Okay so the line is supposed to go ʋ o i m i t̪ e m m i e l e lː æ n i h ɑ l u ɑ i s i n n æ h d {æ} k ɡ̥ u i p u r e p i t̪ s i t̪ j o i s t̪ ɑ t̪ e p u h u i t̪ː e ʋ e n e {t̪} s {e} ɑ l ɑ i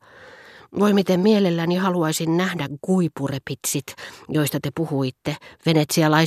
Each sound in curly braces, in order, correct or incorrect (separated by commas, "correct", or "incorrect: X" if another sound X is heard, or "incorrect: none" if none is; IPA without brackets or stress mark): correct, correct, incorrect: i